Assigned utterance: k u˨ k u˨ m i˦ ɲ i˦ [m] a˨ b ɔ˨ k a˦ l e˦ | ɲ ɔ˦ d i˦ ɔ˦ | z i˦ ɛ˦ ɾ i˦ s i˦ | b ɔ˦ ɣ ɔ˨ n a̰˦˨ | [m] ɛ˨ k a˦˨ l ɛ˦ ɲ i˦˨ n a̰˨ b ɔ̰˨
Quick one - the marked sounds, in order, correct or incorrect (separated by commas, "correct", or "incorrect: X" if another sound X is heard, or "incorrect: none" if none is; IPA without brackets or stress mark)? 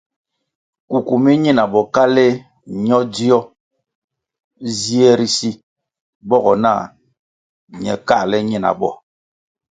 incorrect: n, incorrect: ɲ